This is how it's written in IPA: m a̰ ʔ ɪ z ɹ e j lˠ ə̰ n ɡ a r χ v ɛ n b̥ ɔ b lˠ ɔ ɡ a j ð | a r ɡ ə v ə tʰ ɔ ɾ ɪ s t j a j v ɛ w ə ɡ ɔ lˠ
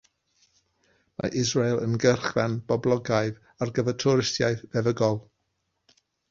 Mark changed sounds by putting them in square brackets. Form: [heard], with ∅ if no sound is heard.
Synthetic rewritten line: m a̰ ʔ ɪ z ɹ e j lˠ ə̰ n ɡ [ə] r χ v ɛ n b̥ ɔ b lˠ ɔ ɡ a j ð | a r ɡ ə v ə tʰ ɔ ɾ ɪ s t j a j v ɛ [v] ə ɡ ɔ lˠ

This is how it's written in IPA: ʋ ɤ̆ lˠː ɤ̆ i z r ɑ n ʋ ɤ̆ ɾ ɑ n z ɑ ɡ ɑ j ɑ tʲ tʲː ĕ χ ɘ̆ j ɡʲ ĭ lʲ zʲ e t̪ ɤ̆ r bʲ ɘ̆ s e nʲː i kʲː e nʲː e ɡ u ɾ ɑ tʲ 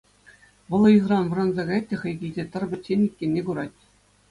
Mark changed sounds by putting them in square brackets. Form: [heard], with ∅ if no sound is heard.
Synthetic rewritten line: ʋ ɤ̆ [lˠ] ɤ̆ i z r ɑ n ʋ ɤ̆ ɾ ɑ n z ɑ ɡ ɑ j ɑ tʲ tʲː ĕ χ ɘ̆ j ɡʲ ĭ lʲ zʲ e t̪ ɤ̆ r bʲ ɘ̆ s e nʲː i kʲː e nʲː e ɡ u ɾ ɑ tʲ

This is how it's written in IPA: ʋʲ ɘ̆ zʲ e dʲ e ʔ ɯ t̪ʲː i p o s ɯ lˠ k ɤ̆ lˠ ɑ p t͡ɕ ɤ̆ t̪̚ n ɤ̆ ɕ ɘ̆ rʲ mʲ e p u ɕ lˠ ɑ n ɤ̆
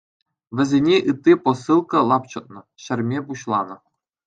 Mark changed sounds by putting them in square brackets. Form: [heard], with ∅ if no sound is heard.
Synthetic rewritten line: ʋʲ ɘ̆ zʲ e [nʲ] e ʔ ɯ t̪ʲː i p o s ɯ lˠ k ɤ̆ lˠ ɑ p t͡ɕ ɤ̆ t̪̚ n ɤ̆ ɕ ɘ̆ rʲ mʲ e p u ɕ lˠ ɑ n ɤ̆

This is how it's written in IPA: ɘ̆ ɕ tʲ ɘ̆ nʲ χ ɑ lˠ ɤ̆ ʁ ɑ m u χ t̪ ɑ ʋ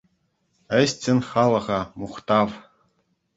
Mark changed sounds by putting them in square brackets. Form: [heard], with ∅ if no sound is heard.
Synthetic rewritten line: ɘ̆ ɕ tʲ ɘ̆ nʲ χ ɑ lˠ ɤ̆ ʁ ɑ m u χ t̪ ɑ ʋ

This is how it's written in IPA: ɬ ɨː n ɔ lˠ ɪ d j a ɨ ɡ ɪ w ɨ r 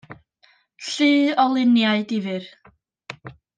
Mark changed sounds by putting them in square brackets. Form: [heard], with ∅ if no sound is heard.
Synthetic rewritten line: ɬ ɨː [∅] ɔ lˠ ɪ [n] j a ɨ [d] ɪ [v] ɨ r

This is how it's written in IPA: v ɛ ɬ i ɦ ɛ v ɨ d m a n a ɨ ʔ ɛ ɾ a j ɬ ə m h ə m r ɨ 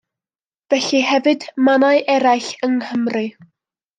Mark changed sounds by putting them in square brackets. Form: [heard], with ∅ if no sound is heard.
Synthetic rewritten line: v ɛ ɬ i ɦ ɛ v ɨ d m a n a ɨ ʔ ɛ ɾ a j ɬ ə [ŋ] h ə m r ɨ

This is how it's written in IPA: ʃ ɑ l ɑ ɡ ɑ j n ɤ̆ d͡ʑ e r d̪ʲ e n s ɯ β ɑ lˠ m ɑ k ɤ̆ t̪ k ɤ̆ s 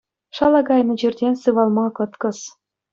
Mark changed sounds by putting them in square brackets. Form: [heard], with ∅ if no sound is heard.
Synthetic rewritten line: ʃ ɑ l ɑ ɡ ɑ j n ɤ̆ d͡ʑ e r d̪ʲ e n s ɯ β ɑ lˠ m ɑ k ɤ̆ t̪ k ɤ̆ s

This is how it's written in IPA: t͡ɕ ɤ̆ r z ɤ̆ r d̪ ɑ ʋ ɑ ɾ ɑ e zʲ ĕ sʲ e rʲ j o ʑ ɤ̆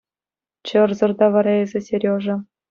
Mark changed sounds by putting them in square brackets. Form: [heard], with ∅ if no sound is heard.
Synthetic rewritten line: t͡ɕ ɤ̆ r z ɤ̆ r d̪ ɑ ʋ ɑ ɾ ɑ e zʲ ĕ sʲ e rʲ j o [ʐ] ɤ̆

